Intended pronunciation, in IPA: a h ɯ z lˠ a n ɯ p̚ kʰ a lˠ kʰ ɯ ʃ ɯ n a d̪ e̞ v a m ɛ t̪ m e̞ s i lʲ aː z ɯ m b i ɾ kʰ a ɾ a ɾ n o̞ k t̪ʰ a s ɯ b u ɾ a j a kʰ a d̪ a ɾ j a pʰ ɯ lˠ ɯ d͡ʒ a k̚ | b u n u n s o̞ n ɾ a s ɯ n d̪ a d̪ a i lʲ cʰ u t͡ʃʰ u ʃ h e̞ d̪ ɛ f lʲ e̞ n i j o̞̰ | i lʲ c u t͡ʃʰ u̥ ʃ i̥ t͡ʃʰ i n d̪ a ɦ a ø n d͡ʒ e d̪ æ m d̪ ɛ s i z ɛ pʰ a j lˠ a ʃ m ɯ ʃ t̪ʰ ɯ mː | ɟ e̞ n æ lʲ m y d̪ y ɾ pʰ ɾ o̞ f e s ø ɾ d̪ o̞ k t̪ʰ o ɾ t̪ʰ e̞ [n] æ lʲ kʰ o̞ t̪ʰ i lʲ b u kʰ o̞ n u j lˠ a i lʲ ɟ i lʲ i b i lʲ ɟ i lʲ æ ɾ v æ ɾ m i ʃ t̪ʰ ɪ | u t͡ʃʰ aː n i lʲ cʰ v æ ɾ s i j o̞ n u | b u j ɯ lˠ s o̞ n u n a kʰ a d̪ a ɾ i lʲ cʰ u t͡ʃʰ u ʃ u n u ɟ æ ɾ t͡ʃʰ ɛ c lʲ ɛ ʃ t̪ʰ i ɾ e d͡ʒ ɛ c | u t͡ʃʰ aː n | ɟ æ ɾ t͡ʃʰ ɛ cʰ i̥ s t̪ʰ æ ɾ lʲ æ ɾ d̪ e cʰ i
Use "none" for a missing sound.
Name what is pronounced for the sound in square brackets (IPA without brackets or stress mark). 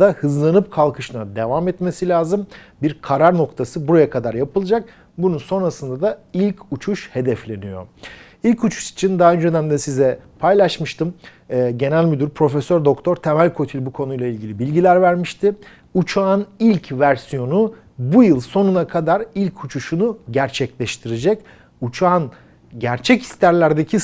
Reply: m